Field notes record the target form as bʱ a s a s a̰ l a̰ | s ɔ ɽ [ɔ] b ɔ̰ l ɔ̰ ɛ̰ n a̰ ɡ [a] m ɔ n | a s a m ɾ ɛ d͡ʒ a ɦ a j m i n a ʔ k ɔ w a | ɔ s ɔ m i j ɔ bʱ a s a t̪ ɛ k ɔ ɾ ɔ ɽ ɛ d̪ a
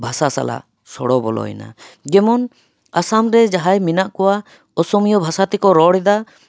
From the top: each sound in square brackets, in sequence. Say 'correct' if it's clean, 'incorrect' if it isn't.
correct, incorrect: ɛ

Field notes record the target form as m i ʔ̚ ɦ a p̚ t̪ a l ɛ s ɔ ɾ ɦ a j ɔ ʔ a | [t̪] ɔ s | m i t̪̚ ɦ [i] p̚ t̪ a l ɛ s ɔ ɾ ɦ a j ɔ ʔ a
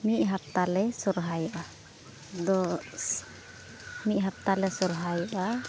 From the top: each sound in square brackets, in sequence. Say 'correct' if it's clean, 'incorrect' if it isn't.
incorrect: d̪, incorrect: a

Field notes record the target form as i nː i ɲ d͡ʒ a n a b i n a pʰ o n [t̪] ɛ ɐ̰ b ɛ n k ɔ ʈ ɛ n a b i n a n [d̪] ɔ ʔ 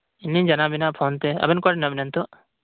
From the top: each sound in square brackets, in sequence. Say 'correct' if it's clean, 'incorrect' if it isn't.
correct, incorrect: t̪

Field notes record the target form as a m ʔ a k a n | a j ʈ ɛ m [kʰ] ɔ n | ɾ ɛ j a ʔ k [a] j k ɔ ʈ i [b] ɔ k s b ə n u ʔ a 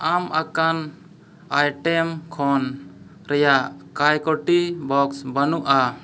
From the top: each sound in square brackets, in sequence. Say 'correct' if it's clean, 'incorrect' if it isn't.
correct, correct, correct

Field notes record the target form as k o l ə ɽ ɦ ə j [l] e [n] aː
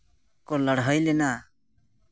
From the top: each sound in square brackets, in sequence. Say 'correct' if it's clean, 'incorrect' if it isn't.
correct, correct

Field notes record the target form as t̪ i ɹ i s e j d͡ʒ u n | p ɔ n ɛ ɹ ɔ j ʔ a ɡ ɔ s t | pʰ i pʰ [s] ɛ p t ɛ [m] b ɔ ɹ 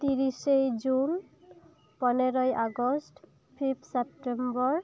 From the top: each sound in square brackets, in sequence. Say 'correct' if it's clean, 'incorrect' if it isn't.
correct, correct

